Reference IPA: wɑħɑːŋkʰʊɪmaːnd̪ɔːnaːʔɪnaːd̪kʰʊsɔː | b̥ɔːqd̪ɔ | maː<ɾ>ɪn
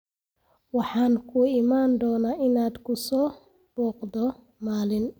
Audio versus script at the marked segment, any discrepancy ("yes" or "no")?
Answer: yes